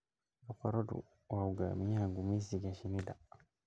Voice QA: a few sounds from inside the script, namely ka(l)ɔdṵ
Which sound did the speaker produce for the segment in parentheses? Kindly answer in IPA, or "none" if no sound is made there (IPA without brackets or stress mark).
ɾ